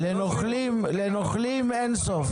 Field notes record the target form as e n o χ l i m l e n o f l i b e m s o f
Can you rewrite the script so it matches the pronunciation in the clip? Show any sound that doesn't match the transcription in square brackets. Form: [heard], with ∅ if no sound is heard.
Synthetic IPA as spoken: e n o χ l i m l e n o [χ] l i [m] e [n] s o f